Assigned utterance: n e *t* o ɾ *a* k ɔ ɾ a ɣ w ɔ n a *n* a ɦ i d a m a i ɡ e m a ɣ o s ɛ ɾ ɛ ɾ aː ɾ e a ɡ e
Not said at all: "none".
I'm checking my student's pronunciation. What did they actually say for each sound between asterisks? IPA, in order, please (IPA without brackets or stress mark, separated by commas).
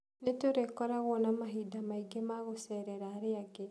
t, e, m